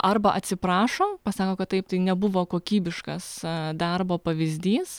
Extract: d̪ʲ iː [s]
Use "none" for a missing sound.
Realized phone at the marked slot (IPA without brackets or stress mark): s